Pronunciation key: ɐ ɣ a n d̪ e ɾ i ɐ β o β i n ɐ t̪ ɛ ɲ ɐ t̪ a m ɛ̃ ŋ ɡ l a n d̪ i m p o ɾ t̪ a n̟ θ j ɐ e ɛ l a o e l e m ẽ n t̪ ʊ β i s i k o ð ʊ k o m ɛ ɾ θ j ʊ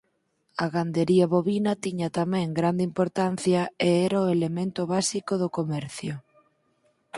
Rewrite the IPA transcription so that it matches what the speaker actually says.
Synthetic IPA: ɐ ɣ a n d̪ e ɾ i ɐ β o β i n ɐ t̪ i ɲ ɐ t̪ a m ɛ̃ ŋ ɡ ɾ a n d̪ i m p o ɾ t̪ a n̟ θ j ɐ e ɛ ɾ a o e l e m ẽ n t̪ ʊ β a s i k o ð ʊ k o m ɛ ɾ θ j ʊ

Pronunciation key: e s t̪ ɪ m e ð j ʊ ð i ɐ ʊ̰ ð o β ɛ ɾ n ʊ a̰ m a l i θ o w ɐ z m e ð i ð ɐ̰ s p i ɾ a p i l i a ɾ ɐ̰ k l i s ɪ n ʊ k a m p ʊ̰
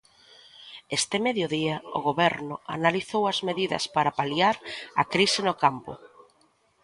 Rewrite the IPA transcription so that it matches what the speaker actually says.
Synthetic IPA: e s t̪ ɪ m e ð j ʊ ð i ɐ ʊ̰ ɣ o β ɛ ɾ n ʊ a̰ n a l i θ o w ɐ z m e ð i ð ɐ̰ s p a ɾ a p a l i a ɾ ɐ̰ k ɾ i s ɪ n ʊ k a m p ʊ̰

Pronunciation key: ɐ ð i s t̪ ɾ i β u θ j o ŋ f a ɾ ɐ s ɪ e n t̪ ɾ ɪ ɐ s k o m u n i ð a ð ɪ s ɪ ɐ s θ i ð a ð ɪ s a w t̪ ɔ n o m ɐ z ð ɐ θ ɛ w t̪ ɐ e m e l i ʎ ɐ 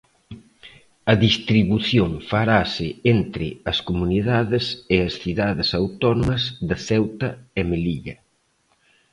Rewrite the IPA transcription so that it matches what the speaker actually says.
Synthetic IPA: ɐ ð i s t̪ ɾ i β u θ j o ŋ f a ɾ a s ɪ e n t̪ ɾ ɪ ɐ s k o m u n i ð a ð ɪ s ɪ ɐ s θ i ð a ð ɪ s a w t̪ ɔ n o m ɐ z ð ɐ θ ɛ w t̪ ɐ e m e l i ʎ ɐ

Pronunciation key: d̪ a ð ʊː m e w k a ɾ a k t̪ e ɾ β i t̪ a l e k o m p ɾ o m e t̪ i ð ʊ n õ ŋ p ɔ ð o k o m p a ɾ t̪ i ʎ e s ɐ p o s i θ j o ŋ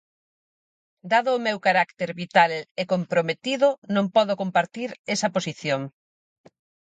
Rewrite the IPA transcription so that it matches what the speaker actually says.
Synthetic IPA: d̪ a ð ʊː m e w k a ɾ a k t̪ e ɾ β i t̪ a l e k o m p ɾ o m e t̪ i ð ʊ n õ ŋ p ɔ ð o k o m p a ɾ t̪ i ɾ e s ɐ p o s i θ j o ŋ

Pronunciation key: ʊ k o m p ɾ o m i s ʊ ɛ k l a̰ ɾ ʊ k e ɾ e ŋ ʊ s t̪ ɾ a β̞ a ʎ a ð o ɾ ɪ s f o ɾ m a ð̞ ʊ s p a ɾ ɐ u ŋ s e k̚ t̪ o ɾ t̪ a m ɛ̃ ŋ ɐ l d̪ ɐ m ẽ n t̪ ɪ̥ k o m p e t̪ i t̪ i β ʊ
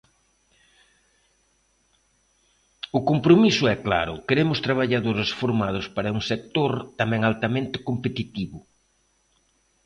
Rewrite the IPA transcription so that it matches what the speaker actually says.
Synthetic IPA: ʊ k o m p ɾ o m i s ʊ ɛ k l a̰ ɾ ʊ k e ɾ e m ʊ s t̪ ɾ a β̞ a ʎ a ð o ɾ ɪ s f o ɾ m a ð̞ ʊ s p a ɾ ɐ u ŋ s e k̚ t̪ o ɾ t̪ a m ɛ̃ ŋ a l t̪ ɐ m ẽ n t̪ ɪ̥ k o m p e t̪ i t̪ i β ʊ

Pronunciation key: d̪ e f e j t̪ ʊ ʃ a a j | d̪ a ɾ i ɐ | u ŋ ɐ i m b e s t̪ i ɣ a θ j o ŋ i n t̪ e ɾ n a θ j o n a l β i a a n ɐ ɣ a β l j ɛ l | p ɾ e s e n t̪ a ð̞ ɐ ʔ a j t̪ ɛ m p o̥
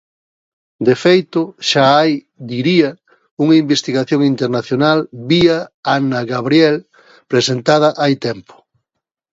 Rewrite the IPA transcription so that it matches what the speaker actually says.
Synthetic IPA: d̪ e f e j t̪ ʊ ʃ a a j | d̪ i ɾ i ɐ | u ŋ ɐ i m b e s t̪ i ɣ a θ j o ŋ i n t̪ e ɾ n a θ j o n a l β i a a n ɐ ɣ a β ɾ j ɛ l | p ɾ e s e n t̪ a ð̞ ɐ ʔ a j t̪ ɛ m p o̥

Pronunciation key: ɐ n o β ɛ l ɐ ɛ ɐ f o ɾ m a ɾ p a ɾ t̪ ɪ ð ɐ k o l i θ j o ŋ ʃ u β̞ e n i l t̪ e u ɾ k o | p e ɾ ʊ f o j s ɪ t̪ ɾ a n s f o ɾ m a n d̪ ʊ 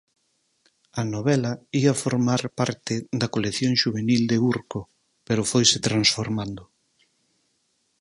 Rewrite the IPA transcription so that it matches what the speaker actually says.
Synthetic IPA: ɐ n o β ɛ l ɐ i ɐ f o ɾ m a ɾ p a ɾ t̪ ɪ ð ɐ k o l e θ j o ŋ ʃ u β̞ e n i l d̪ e u ɾ k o | p e ɾ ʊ f o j s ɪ t̪ ɾ a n s f o ɾ m a n d̪ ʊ

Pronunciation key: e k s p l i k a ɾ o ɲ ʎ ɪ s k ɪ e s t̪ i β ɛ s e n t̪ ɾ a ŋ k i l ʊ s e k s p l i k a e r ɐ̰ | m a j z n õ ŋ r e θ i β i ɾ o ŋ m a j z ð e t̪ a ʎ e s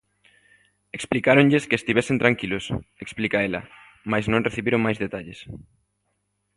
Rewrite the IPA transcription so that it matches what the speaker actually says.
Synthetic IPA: e k s p l i k a ɾ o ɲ ʎ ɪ s k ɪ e s t̪ i β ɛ s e n t̪ ɾ a ŋ k i l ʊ s e k s p l i k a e l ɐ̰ | m a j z n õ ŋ r e θ i β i ɾ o ŋ m a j z ð e t̪ a ʎ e s

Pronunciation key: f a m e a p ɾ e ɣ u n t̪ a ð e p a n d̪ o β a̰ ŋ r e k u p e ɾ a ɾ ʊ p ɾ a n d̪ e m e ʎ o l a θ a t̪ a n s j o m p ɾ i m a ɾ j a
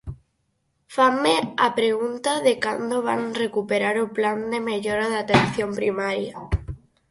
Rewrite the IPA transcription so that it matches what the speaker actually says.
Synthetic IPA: f a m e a p ɾ e ɣ u n t̪ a ð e k a n d̪ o β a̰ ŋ r e k u p e ɾ a ɾ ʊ p l a n d̪ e m e ʎ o ɾ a ð a t̪ e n θ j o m p ɾ i m a ɾ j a

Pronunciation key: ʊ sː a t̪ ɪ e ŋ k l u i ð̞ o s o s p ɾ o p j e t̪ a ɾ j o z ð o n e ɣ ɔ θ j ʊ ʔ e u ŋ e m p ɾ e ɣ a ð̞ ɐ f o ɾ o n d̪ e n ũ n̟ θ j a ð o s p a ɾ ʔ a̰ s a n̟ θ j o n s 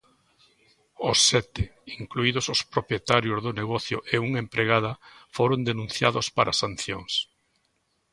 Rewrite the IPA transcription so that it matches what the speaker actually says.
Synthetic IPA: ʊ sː ɛ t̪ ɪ i ŋ k l u i ð̞ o s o s p ɾ o p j e t̪ a ɾ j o z ð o n e ɣ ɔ θ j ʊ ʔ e u ŋ e m p ɾ e ɣ a ð̞ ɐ f o ɾ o n d̪ e n ũ n̟ θ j a ð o s p a ɾ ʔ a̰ s a n̟ θ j o ŋ s

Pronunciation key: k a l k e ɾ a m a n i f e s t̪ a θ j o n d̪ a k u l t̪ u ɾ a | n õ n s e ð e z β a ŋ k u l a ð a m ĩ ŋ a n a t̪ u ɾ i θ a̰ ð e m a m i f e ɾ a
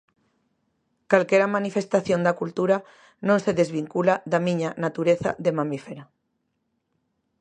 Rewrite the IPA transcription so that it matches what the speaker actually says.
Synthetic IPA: k a l k e ɾ a m a n i f e s t̪ a θ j o n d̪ a k u l t̪ u ɾ a | n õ n s e ð e z β i ŋ k u l a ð a m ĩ ɲ a n a t̪ u ɾ e θ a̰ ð e m a m i f e ɾ a

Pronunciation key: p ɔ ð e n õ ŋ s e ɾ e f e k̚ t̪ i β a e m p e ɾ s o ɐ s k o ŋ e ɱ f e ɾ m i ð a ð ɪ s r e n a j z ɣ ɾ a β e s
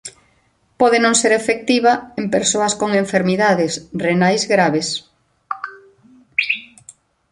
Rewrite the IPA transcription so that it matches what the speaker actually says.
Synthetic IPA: p ɔ ð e n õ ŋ s e ɾ e f e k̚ t̪ i β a e m p e ɾ s o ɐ s k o ŋ e ɱ f e ɾ m i ð a ð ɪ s r e n a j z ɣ ɾ a β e s

